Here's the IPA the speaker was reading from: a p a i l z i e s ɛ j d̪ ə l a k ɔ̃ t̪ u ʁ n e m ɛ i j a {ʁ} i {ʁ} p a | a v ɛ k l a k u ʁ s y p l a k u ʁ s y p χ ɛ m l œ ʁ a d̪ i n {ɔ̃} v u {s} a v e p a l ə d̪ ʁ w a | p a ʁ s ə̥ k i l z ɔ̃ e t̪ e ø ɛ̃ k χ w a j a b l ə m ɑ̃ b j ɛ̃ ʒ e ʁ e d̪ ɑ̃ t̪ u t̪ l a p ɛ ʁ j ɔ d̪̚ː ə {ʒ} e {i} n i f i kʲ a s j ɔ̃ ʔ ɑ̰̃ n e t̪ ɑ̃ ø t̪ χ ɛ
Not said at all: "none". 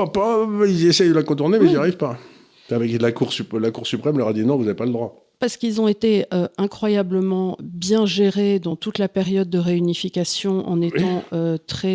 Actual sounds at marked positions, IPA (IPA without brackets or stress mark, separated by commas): ʁ, v, ɔ̃, z, ʁ, y